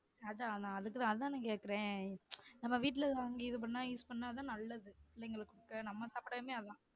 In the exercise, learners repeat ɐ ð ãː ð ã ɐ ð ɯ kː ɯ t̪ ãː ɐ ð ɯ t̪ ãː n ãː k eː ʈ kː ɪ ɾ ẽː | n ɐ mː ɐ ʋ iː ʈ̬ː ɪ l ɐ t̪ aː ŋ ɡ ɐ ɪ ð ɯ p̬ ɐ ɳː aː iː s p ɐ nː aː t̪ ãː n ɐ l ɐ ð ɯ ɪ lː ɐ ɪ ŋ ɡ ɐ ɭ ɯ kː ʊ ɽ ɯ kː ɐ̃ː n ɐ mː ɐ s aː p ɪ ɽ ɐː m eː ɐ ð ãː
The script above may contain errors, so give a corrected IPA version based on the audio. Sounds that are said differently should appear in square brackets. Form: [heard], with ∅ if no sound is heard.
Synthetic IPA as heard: ɐ ð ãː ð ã ɐ ð ɯ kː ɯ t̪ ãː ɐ ð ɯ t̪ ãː n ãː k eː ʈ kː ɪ ɾ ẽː | n ɐ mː ɐ ʋ iː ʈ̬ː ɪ l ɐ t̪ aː ŋ ɡ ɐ ɪ ð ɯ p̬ ɐ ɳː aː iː s p ɐ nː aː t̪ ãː n ɐ [lː] ɐ ð ɯ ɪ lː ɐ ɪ ŋ ɡ ɐ ɭ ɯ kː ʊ ɽ ɯ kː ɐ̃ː n ɐ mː ɐ s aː p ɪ ɽ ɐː m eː ɐ ð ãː